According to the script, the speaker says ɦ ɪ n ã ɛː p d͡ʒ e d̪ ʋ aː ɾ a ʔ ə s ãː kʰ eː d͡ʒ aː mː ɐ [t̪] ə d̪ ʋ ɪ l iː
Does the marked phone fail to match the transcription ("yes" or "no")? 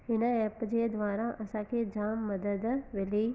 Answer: yes